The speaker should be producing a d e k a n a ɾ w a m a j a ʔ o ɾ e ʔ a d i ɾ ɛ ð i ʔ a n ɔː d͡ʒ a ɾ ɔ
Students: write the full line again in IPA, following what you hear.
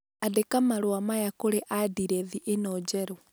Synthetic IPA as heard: a d e k a m a ɾ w a m a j a k o ɾ e ʔ a d i ɾ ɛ ð i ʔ e n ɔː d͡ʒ ɛ ɾ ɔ